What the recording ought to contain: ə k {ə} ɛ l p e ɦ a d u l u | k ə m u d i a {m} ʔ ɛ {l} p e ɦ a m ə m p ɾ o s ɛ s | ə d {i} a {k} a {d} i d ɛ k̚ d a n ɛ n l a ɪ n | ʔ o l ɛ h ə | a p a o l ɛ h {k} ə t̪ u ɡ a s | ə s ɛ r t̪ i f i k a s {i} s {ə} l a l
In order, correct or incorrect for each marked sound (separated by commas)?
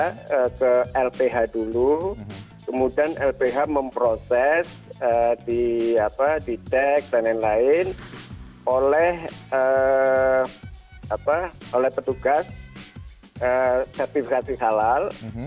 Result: correct, incorrect, correct, correct, incorrect, correct, incorrect, correct, incorrect